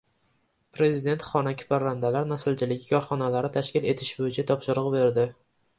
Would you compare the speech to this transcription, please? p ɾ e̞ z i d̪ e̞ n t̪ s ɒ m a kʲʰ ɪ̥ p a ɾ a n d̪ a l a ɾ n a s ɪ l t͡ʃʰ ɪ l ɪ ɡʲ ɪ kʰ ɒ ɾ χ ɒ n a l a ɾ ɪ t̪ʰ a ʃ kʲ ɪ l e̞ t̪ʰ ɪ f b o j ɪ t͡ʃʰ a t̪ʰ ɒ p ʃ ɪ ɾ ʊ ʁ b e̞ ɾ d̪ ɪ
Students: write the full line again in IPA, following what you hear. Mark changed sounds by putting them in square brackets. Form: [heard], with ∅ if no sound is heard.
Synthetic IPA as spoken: p ɾ e̞ z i d̪ e̞ n t̪ [χ] ɒ [n] a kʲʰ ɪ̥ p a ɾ a n d̪ a l a ɾ n a s ɪ l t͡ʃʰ ɪ l ɪ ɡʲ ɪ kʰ ɒ ɾ χ ɒ n a l a ɾ ɪ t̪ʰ a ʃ kʲ ɪ l e̞ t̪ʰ ɪ [ʃ] b o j ɪ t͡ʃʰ a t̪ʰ ɒ p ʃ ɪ ɾ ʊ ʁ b e̞ ɾ d̪ ɪ